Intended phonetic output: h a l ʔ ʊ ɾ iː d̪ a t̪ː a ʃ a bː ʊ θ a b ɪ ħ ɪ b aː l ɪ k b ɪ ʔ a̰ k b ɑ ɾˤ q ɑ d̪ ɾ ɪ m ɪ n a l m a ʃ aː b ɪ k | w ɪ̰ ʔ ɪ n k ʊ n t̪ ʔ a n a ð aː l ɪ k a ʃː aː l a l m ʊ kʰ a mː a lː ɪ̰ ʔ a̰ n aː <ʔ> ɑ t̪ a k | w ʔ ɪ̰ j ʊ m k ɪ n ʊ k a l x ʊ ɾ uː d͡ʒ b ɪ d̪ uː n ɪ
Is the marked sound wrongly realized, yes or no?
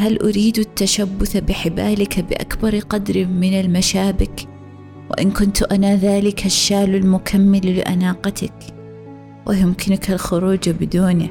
yes